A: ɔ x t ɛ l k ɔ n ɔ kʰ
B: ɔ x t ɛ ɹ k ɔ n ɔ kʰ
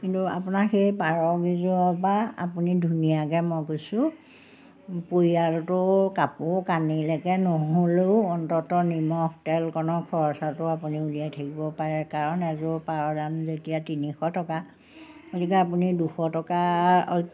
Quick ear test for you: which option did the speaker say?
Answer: A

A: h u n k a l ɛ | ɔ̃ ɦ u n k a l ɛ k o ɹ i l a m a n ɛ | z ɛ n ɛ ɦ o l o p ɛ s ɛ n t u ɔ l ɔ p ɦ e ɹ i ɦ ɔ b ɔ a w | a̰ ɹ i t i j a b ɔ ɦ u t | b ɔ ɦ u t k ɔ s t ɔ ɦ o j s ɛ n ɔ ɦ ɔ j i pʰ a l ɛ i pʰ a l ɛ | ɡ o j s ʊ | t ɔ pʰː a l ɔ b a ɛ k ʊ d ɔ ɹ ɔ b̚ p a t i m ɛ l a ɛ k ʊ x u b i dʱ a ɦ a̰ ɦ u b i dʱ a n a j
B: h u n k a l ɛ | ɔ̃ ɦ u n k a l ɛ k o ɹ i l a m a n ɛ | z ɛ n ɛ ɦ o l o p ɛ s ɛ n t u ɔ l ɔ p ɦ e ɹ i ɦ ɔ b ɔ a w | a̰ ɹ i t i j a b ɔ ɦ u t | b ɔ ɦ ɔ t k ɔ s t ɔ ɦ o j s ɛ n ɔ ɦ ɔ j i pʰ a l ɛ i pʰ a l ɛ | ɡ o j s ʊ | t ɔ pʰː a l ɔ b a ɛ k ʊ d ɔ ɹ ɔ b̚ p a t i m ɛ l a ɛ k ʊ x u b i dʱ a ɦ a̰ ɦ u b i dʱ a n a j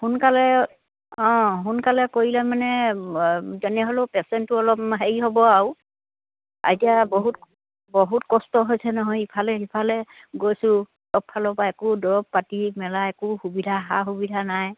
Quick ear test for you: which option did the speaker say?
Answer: A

